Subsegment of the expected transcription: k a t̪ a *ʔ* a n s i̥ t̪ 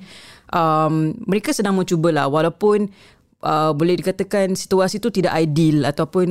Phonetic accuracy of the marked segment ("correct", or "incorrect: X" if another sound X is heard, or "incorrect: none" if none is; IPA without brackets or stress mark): incorrect: k